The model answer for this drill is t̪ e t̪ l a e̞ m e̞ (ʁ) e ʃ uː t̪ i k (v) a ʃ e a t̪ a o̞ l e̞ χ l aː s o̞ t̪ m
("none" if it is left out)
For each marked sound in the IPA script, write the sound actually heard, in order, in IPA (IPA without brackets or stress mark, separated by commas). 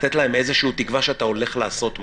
z, v